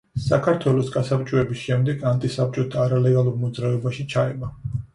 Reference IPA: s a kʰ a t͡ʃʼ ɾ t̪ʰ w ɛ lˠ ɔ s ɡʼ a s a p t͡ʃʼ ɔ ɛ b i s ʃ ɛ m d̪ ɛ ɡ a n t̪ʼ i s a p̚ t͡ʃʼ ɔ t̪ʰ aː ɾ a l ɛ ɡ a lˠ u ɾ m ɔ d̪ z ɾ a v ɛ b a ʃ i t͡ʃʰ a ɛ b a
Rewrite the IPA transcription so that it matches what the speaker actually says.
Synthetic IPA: s a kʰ a ɾ t̪ʰ w ɛ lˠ ɔ s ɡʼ a s a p t͡ʃʼ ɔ ɛ b i s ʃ ɛ m d̪ ɛ ɡ a n t̪ʼ i s a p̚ t͡ʃʼ ɔ t̪ʰ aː ɾ a l ɛ ɡ a lˠ u ɾ m ɔ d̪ z ɾ a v ɛ b a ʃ i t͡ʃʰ a ɛ b a

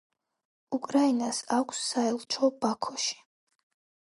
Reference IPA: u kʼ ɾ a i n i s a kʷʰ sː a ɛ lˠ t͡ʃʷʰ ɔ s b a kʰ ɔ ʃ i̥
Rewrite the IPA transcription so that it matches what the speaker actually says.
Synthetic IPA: u kʼ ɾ a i n a s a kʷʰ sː a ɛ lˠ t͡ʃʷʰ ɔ b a kʰ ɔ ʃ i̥

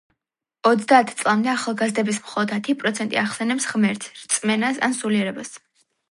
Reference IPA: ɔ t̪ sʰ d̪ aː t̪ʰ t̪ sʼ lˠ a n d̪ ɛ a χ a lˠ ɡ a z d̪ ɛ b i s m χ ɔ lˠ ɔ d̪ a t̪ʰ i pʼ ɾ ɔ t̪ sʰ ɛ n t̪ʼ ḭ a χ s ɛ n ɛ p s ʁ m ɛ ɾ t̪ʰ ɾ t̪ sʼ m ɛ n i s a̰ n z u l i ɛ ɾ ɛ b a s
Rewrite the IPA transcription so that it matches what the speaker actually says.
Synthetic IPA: ɔ t̪ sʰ d̪ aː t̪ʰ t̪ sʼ lˠ a m d̪ ɛ a χ a lˠ ɡ a z d̪ ɛ b i s m χ ɔ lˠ ɔ d̪ a t̪ʰ i pʼ ɾ ɔ t̪ sʰ ɛ n t̪ʼ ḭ a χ s ɛ n ɛ p s ʁ m ɛ ɾ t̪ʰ ɾ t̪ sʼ m ɛ n a s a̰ n s u l i ɛ ɾ ɛ b a s

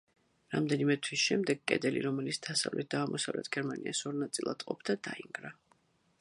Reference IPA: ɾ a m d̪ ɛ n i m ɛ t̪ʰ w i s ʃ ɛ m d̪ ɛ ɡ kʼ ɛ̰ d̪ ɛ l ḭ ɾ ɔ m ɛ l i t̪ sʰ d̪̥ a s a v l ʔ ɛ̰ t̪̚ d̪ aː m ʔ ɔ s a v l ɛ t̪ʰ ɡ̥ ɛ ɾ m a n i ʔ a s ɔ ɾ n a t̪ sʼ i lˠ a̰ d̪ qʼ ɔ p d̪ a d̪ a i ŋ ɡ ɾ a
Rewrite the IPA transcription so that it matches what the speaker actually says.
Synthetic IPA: ɾ a m d̪ ɛ n i m ɛ t̪ʰ w i s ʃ ɛ m d̪ ɛ ɡ kʼ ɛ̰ d̪ ɛ l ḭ ɾ ɔ m ɛ l i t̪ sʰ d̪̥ a s a v l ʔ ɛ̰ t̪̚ d̪ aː m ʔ ɔ s a v l ɛ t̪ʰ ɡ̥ ɛ ɾ m a n i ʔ a s ɔ ɾ n a t̪ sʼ i lˠ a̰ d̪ qʼ ɔ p d̪ a d̪ a i ŋ ɡ ɾ a

